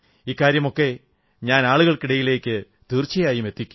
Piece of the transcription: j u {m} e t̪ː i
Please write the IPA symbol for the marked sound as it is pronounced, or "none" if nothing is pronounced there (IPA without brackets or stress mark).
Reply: m